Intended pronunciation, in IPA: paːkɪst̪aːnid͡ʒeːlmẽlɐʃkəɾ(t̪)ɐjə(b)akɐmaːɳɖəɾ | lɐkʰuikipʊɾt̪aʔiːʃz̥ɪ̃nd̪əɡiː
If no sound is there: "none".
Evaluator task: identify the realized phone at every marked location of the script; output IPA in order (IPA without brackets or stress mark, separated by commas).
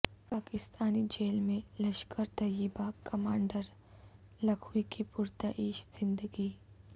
t̪, b